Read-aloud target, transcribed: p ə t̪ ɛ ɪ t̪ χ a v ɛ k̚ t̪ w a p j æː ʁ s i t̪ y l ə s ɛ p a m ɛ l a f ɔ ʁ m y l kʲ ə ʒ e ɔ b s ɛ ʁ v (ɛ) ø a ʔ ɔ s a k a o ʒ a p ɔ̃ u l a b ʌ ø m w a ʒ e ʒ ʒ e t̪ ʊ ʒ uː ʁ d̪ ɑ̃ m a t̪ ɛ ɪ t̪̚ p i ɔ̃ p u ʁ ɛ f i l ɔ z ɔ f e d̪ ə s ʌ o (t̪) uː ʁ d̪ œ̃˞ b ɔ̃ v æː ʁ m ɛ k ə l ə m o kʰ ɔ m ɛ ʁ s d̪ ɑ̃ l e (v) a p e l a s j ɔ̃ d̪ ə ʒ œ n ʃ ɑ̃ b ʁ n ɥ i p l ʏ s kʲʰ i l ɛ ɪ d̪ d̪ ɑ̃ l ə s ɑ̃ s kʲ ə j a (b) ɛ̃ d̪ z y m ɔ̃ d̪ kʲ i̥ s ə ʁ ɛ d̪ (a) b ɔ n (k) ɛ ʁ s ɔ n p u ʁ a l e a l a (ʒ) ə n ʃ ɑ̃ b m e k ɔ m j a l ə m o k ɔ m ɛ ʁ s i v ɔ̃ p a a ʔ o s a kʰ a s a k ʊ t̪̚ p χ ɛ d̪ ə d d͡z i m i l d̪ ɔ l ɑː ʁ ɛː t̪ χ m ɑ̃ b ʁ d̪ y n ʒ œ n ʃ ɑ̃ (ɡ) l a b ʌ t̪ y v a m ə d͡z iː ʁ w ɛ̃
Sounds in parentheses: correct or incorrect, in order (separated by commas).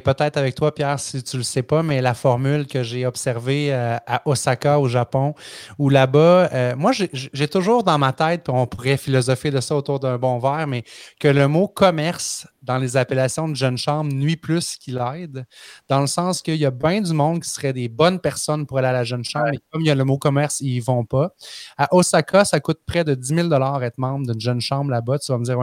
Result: incorrect, correct, incorrect, correct, incorrect, incorrect, correct, incorrect